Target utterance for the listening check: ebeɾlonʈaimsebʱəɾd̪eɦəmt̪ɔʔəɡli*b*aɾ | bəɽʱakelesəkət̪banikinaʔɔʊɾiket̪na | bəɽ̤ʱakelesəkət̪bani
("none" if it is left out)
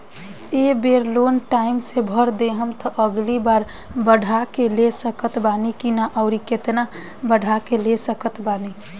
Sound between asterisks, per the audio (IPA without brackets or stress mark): b